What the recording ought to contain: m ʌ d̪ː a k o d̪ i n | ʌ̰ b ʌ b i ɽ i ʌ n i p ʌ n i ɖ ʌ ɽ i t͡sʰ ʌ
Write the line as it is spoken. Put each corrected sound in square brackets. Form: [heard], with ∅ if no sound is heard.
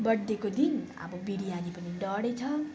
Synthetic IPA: [b] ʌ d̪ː [e] k o d̪ i n | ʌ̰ b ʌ b i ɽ i [a] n i p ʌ n i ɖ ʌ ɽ [e] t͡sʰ ʌ